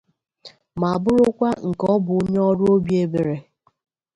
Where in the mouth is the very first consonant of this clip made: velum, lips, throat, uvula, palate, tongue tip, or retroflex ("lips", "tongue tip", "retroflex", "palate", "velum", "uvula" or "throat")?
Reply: lips